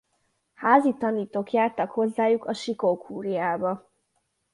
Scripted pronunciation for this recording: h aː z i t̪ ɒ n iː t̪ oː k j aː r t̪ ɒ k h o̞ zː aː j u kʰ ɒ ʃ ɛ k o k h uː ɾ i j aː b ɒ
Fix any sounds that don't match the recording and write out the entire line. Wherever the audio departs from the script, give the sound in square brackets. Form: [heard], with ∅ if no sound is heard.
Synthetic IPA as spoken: h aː z i t̪ ɒ n iː t̪ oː k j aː r t̪ ɒ k h o̞ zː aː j u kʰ ɒ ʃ [i] k o k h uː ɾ i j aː b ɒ